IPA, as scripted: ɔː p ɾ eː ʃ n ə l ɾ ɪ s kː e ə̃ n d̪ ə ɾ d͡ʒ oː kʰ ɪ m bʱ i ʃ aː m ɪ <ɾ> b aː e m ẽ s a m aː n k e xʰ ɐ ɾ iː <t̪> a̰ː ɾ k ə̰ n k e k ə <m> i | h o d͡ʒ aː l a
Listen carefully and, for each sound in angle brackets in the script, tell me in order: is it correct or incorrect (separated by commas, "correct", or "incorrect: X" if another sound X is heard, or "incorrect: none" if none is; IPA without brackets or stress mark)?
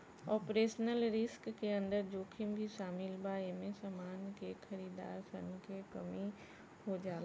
incorrect: l, incorrect: d̪, correct